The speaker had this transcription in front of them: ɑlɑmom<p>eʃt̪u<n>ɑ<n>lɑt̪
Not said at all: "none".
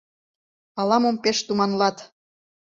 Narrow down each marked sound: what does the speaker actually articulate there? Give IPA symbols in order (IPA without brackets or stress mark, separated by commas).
p, m, n